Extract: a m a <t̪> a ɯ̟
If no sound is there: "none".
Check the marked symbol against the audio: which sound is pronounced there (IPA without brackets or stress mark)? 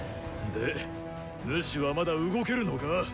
d̪